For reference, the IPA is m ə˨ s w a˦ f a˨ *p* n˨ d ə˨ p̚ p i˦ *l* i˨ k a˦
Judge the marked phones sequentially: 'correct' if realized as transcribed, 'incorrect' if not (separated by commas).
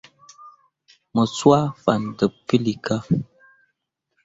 incorrect, correct